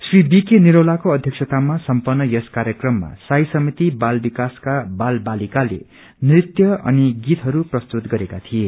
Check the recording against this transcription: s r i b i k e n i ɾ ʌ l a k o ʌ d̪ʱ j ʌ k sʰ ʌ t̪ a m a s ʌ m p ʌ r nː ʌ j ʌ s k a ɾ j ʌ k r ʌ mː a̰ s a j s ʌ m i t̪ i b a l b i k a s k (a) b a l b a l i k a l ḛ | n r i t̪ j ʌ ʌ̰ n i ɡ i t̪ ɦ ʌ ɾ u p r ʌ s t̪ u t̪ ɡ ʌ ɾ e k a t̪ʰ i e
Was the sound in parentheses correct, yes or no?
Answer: yes